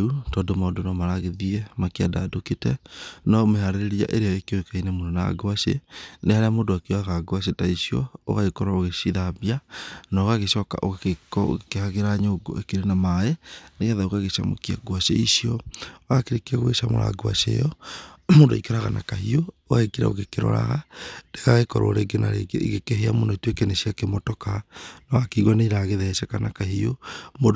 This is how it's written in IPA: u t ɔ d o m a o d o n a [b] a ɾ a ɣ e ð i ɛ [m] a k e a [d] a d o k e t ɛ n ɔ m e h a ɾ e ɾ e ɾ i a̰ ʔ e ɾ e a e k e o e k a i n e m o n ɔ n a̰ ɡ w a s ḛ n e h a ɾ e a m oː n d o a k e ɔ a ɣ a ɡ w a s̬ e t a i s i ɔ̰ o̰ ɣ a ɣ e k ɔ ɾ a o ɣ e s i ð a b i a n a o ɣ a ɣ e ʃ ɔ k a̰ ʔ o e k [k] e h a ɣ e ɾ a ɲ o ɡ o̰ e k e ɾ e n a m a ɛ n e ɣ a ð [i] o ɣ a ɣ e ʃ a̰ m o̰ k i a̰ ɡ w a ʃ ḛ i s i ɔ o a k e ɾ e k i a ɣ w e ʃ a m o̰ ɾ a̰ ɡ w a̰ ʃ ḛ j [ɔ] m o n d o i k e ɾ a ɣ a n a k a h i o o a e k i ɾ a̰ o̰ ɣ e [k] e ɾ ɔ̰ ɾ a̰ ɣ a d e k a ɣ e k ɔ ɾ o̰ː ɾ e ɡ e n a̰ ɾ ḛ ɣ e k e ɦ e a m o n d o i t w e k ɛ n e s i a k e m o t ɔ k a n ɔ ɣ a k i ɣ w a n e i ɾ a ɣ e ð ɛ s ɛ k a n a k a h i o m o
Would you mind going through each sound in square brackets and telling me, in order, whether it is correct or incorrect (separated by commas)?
incorrect, correct, correct, correct, incorrect, correct, correct